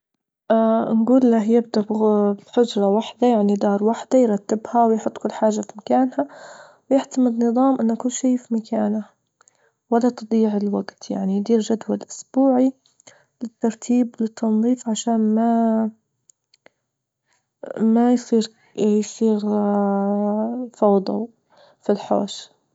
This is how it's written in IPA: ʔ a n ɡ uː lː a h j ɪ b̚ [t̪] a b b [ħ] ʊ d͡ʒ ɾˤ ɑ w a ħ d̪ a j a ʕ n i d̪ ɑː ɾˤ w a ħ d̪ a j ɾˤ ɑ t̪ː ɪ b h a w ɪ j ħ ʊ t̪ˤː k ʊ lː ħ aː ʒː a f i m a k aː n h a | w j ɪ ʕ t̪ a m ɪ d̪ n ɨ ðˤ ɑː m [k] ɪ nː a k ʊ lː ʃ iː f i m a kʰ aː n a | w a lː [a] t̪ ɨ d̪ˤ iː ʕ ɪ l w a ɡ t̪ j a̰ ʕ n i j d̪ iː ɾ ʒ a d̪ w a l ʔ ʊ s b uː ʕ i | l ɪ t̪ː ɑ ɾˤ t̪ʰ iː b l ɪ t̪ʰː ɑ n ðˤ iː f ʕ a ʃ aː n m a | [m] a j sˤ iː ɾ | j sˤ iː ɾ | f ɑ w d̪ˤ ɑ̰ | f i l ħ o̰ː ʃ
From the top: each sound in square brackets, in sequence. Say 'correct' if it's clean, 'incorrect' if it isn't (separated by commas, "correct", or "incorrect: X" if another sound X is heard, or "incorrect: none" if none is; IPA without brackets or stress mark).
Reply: incorrect: d̪, correct, incorrect: ʔ, correct, correct